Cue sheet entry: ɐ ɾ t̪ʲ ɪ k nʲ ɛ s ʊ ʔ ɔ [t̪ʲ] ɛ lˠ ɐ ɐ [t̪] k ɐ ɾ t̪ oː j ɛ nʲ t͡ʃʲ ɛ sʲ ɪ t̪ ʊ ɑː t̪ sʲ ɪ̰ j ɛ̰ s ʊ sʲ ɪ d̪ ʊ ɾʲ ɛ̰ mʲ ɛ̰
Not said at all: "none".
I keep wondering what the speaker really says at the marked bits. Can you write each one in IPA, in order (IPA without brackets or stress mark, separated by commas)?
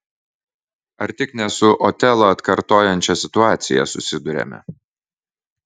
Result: t̪ʲ, t̪